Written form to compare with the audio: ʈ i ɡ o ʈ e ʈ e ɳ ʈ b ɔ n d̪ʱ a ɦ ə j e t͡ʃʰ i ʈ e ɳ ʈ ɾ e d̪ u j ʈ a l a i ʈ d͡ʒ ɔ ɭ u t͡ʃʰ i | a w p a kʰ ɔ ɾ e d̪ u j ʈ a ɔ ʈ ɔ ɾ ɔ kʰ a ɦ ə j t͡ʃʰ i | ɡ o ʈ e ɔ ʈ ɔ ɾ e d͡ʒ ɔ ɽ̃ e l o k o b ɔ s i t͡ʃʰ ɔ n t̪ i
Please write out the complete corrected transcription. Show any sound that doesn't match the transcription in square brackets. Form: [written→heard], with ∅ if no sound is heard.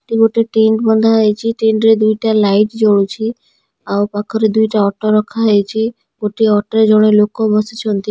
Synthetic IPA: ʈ i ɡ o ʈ e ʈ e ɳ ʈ b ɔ n d̪ʱ a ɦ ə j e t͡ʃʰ i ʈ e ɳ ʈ ɾ e d̪ u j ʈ a l a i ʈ d͡ʒ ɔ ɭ u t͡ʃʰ i | a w p a kʰ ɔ ɾ e d̪ u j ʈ a ɔ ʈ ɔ ɾ ɔ kʰ a ɦ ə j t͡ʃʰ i | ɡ o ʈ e ɔ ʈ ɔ ɾ e d͡ʒ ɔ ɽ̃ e l o k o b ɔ s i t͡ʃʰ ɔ n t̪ i